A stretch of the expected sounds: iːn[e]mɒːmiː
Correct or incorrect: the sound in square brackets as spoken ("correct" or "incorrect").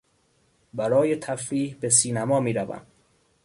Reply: incorrect